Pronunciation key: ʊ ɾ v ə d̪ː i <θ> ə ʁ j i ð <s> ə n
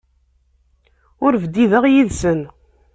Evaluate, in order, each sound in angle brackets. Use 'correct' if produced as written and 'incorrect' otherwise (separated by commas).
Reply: incorrect, correct